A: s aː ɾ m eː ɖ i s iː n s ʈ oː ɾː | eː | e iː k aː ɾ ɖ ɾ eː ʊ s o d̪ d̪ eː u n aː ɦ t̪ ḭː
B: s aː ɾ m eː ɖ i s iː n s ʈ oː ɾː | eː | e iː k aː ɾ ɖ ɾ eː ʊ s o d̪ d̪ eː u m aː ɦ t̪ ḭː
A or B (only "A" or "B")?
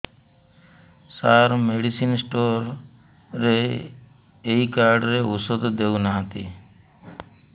A